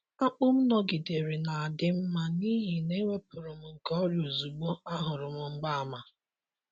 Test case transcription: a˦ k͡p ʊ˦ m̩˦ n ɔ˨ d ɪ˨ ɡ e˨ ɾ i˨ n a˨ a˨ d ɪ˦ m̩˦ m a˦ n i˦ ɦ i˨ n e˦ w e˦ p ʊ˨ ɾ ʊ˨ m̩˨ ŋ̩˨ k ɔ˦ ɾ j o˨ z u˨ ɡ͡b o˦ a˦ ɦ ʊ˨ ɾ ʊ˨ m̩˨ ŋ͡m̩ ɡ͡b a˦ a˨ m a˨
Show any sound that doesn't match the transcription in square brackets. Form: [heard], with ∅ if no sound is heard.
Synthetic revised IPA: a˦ k͡p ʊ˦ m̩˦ n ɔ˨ [ɡ] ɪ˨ [d] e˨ ɾ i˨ n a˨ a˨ d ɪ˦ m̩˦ m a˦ n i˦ ɦ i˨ n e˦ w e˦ p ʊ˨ ɾ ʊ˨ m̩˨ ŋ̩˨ k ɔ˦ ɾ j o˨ z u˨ ɡ͡b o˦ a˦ ɦ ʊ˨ ɾ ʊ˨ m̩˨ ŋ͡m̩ ɡ͡b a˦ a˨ m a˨

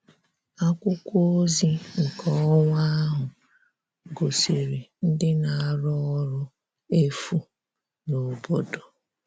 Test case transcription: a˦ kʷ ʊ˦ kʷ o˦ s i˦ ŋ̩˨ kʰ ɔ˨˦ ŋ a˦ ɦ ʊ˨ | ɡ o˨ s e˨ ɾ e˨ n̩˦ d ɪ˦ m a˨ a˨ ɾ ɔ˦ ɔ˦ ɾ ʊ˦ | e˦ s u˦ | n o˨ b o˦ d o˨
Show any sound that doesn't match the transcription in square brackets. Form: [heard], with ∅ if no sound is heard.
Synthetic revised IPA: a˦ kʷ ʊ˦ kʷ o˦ [z] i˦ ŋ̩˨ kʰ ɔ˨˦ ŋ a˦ ɦ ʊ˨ | ɡ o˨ s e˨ ɾ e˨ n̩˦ d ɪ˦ [n] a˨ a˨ ɾ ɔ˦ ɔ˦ ɾ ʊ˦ | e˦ [f] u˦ | n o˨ b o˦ d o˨

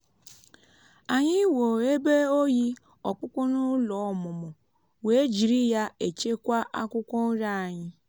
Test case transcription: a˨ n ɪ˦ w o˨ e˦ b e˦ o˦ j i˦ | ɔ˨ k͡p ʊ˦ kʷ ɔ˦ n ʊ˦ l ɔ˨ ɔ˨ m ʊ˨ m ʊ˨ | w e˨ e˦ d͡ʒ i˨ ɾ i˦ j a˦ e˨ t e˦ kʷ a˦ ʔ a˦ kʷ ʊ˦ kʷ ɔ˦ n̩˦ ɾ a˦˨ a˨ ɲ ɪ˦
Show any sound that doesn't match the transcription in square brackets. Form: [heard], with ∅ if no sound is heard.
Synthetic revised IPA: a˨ [ɲ] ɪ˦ w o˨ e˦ b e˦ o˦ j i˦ | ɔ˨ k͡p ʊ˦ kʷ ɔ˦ n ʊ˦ l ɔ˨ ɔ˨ m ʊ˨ m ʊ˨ | w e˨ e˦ d͡ʒ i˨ ɾ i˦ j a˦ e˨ [t͡ʃ] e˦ kʷ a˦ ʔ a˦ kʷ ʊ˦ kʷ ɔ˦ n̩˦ ɾ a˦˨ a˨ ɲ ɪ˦

